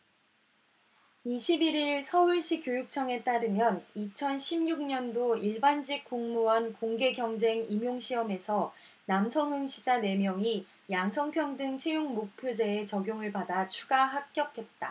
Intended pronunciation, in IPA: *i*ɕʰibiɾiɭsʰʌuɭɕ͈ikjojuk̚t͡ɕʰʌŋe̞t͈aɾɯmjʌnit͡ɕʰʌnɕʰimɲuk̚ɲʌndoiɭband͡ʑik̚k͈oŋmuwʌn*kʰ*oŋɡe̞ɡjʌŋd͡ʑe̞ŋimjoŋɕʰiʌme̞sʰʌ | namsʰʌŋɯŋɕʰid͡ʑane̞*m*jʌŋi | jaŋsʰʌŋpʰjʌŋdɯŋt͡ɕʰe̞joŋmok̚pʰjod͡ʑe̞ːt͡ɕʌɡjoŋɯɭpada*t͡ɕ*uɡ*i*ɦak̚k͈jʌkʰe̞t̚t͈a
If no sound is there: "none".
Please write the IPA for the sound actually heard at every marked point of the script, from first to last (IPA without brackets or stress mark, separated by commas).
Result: i, k, m, t͡ɕʰ, a